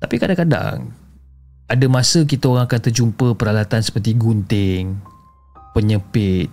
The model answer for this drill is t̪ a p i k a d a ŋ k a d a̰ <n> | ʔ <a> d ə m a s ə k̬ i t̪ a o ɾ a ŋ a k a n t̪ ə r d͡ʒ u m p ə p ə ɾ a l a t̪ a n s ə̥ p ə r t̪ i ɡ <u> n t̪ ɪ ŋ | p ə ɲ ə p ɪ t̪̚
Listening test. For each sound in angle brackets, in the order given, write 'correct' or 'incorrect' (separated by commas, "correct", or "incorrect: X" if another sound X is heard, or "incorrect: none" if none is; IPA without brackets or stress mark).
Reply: incorrect: ŋ, correct, correct